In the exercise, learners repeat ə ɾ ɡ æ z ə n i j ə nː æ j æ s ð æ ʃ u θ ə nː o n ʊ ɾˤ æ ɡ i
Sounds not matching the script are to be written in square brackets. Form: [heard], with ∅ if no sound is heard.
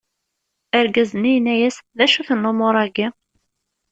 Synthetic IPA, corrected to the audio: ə ɾ ɡ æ z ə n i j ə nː æ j æ s ð æ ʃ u θ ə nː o [m] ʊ ɾˤ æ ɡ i